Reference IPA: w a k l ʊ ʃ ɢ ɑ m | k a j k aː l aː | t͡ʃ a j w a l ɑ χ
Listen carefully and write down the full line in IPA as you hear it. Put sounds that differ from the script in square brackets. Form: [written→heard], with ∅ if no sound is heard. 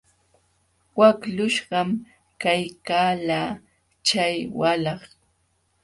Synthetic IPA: w a k l ʊ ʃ ɢ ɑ m | k a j k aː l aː | t͡ʃ a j w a l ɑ χ